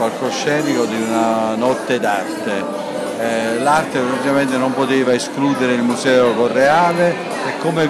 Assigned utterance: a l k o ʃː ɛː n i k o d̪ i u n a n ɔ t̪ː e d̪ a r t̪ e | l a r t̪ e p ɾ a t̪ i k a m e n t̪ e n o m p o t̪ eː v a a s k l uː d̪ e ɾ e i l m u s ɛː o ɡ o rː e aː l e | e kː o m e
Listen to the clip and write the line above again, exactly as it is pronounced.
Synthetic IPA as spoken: a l k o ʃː ɛː n i k o d̪ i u n a n ɔ t̪ː e d̪ a r t̪ e | l a r t̪ e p ɾ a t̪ i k a m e n t̪ e n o m p o t̪ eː v a e s k l uː d̪ e ɾ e i l m u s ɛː o k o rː e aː l e | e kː o m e